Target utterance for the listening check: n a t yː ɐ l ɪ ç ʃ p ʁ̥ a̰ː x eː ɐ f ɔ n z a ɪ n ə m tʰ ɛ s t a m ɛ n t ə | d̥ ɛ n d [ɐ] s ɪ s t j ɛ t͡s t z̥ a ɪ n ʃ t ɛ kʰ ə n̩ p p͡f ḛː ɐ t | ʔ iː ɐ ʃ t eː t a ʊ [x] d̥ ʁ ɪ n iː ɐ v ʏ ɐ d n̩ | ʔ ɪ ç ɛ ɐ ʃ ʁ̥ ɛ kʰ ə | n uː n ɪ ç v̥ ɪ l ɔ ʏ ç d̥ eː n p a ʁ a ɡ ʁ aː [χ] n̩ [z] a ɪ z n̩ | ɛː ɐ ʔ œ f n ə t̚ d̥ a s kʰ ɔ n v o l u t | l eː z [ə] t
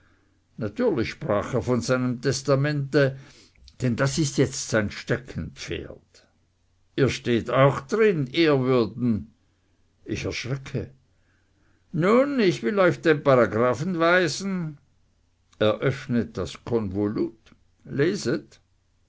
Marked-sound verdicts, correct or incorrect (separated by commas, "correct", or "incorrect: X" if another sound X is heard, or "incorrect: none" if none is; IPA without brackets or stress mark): incorrect: a, correct, incorrect: f, incorrect: v, correct